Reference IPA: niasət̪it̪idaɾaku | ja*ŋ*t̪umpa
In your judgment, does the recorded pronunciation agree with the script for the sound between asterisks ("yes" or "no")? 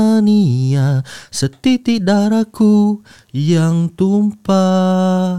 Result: yes